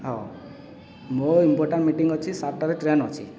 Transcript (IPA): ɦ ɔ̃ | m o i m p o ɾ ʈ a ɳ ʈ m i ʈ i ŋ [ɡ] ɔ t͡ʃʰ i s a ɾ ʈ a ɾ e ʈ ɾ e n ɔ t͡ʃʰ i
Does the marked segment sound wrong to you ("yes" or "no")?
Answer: no